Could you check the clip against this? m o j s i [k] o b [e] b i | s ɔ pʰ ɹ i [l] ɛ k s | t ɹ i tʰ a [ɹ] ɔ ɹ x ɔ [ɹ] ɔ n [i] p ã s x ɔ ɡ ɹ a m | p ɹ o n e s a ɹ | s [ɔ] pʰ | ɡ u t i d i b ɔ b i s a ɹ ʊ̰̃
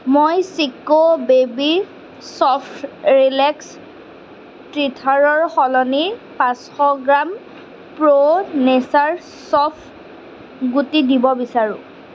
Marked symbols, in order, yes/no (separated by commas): yes, yes, yes, yes, no, yes, yes